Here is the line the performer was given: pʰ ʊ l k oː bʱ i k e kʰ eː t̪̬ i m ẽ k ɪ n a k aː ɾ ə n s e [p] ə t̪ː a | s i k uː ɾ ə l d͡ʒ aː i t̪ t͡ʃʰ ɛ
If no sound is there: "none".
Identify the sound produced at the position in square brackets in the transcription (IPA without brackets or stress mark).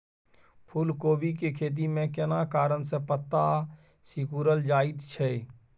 p